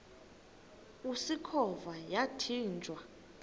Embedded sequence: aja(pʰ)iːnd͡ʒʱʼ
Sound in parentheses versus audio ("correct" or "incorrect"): incorrect